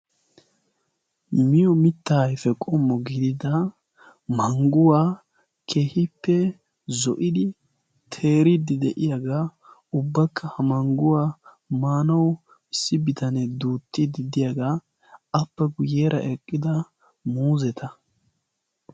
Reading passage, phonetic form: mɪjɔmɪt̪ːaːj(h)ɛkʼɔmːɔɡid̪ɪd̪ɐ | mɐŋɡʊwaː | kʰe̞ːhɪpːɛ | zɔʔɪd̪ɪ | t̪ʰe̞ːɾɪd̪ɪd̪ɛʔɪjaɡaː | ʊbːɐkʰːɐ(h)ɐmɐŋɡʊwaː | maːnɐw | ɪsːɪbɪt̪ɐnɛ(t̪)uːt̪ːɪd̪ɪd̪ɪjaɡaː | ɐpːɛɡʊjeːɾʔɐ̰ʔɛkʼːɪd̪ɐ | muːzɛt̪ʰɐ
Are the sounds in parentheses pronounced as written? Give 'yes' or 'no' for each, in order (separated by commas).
no, yes, no